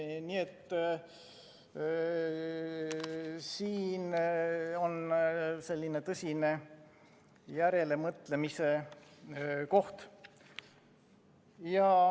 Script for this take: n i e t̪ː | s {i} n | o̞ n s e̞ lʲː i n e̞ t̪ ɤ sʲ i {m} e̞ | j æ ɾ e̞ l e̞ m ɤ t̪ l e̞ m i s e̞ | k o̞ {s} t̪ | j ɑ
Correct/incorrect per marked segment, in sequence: incorrect: iː, incorrect: n, incorrect: h

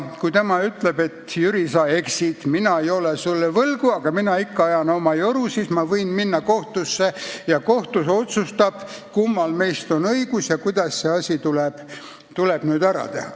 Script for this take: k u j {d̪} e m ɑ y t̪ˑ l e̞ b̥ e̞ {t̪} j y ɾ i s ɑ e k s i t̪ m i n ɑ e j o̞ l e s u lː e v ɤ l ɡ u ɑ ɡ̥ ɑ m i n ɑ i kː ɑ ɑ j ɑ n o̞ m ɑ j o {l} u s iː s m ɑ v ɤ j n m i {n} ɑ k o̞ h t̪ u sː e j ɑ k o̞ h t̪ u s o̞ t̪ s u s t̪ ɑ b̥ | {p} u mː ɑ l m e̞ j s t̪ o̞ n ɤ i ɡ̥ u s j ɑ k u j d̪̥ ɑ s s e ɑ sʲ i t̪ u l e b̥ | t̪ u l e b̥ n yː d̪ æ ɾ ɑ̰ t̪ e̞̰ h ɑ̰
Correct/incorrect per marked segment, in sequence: incorrect: t̪, correct, incorrect: ɾ, incorrect: nː, incorrect: k

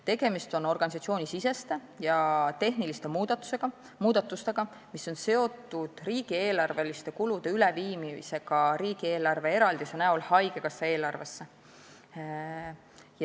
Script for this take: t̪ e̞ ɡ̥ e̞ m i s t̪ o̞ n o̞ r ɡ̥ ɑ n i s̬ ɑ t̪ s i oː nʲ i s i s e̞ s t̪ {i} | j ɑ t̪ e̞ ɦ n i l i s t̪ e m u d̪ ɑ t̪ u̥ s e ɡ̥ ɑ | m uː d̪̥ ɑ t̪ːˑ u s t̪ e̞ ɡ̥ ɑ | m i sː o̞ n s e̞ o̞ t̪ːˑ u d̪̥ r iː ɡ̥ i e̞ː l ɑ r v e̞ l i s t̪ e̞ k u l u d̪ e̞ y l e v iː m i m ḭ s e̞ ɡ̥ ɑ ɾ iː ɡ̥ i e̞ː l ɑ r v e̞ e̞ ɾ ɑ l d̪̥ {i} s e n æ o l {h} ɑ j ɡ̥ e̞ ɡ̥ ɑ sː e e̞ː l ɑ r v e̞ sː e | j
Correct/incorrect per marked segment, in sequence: incorrect: e, correct, correct

